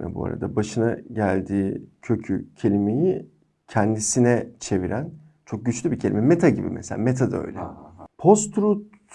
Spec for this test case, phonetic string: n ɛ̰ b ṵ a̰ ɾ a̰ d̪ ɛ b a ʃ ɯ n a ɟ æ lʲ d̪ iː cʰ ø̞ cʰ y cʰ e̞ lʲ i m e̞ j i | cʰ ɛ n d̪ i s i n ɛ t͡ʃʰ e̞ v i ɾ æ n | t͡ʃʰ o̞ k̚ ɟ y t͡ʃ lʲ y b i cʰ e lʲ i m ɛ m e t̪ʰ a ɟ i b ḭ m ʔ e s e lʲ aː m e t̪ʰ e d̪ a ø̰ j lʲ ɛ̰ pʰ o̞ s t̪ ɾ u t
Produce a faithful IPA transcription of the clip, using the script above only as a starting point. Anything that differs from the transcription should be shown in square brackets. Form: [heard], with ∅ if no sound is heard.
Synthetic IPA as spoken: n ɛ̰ b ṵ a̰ ɾ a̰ d̪ [a] b a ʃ ɯ n a ɟ æ lʲ d̪ iː cʰ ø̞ cʰ y cʰ e̞ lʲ i m e̞ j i | cʰ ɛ n d̪ i s i n ɛ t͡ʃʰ e̞ v i ɾ æ n | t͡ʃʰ o̞ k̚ ɟ y t͡ʃ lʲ y b i cʰ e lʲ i m ɛ m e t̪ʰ a ɟ i b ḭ m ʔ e s e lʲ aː m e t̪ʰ [a] d̪ a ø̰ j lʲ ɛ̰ pʰ o̞ s t̪ ɾ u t

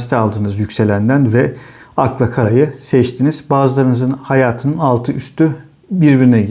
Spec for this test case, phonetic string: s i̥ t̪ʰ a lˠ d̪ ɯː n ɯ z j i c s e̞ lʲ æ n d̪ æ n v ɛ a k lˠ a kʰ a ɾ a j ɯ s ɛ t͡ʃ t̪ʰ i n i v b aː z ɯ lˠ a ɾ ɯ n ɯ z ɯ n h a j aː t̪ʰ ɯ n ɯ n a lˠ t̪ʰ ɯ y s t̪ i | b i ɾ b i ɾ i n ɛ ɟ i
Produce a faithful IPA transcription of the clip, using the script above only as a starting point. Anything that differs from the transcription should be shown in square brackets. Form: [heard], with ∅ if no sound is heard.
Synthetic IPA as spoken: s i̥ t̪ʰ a lˠ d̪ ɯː n ɯ z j [y] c s e̞ lʲ æ n d̪ æ n v ɛ a k lˠ a kʰ a ɾ a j ɯ s ɛ t͡ʃ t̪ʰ i n i [z] b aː z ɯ lˠ a ɾ ɯ n ɯ z ɯ n h a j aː t̪ʰ ɯ n ɯ n a lˠ t̪ʰ ɯ y s t̪ [y] | b i ɾ b i ɾ i n ɛ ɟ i

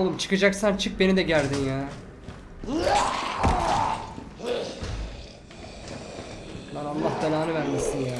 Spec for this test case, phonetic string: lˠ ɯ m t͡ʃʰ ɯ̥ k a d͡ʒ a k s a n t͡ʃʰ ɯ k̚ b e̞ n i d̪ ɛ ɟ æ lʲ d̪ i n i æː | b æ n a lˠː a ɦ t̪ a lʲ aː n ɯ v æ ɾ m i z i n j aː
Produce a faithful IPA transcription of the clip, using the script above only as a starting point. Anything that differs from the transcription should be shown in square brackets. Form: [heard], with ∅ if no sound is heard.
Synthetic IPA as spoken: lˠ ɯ m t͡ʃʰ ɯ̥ k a d͡ʒ a k s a n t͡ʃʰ ɯ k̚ b e̞ n i d̪ ɛ ɟ æ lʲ d̪ i n [j] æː | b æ n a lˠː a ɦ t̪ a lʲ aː n ɯ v æ ɾ m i [s] i n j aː

